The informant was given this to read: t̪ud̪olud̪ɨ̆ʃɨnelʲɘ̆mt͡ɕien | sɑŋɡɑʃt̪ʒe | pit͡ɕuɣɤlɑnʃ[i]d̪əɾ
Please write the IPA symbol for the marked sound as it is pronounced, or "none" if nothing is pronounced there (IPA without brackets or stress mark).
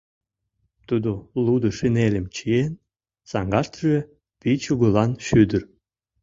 y